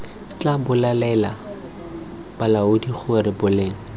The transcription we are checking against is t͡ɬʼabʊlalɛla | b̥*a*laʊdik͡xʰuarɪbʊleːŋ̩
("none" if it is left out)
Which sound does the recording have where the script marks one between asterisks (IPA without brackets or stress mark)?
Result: a